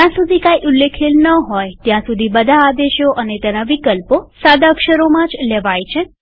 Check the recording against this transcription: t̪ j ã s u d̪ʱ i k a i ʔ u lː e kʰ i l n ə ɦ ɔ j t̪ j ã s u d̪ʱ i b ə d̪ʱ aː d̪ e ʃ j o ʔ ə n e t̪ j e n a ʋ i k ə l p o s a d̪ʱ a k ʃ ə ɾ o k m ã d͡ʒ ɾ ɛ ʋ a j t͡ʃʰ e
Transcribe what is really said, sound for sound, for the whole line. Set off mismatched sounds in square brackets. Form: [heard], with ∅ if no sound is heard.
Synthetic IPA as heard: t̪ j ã s u d̪ʱ i k a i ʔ u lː e kʰ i l n ə ɦ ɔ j t̪ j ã s u d̪ʱ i b ə d̪ʱ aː d̪ e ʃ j o ʔ ə n e t̪ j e n a ʋ i k ə l p o s a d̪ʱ a k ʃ ə ɾ o [∅] m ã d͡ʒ [l] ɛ ʋ a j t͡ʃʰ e